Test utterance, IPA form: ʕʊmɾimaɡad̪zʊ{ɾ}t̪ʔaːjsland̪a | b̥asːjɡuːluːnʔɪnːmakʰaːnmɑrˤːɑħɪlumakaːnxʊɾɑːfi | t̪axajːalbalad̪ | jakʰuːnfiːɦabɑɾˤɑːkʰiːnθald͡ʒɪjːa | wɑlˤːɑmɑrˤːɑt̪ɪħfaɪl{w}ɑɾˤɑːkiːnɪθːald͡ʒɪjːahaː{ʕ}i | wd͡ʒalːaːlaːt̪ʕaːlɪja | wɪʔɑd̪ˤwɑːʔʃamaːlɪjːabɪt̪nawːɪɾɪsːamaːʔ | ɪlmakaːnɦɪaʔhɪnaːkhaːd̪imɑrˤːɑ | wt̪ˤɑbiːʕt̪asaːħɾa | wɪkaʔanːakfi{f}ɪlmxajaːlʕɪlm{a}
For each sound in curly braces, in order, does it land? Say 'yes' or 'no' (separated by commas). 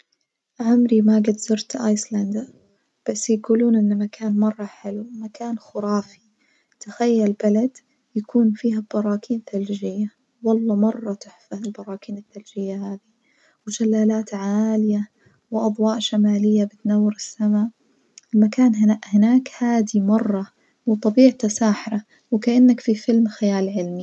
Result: yes, no, no, yes, no